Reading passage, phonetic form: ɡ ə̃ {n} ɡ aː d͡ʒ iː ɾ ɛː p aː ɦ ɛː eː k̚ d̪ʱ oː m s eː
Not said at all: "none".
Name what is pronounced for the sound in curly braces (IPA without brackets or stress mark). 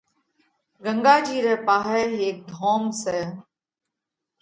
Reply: ŋ